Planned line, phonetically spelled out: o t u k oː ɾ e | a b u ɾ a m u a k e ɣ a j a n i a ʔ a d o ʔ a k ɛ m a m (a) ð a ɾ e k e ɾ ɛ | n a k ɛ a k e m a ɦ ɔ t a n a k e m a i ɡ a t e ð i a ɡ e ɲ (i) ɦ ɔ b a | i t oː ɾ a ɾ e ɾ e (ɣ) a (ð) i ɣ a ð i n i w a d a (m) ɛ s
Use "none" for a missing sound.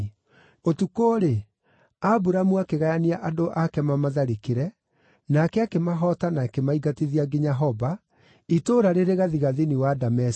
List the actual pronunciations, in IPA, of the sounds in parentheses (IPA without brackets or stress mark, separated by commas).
a, a, ɣ, ð, m